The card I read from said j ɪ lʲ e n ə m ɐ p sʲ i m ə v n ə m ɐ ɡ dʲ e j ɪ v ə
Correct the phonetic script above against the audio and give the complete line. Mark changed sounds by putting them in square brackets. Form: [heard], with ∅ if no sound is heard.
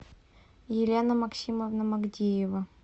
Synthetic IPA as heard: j ɪ lʲ e n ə m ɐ [k] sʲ i m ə v n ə m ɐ ɡ dʲ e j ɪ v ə